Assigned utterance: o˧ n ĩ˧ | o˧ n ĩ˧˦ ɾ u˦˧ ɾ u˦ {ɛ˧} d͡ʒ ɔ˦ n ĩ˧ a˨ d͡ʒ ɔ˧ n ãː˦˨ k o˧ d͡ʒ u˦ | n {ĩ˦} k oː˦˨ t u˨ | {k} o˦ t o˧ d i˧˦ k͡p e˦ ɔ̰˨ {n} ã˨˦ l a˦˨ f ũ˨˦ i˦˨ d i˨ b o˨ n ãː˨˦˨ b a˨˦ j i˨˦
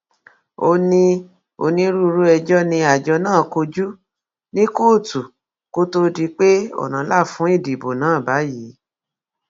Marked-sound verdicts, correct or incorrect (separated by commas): correct, correct, correct, correct